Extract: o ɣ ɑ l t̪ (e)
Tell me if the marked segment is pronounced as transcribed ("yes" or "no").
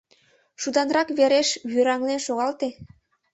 yes